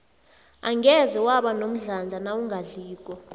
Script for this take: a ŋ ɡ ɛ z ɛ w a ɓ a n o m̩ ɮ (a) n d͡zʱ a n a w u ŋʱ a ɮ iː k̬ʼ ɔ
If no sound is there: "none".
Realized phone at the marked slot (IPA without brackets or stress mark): a